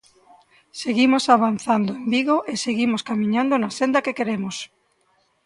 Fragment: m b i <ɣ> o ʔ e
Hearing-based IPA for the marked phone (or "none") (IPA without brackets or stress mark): ɣ